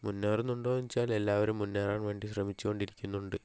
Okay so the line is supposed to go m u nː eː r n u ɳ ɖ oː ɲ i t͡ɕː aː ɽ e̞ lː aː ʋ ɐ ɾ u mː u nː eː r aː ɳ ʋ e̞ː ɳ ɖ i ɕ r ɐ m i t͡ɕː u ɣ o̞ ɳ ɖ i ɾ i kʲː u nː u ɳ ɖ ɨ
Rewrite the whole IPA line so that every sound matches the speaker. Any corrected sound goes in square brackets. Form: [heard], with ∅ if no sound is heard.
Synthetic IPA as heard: m u nː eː r n u ɳ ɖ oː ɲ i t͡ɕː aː [l] e̞ lː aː ʋ ɐ ɾ u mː u nː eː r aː ɳ ʋ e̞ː ɳ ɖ i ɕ r ɐ m i t͡ɕː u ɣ o̞ ɳ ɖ i ɾ i kʲː u nː u ɳ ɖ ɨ